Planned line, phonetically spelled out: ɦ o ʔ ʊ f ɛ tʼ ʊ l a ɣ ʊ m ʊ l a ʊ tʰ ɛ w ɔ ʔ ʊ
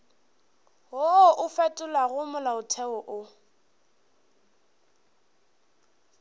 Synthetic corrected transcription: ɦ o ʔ ʊ f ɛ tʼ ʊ l a ɣ ʊ m ʊ l a ʊ tʰ ɛ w ɔ ʔ ʊ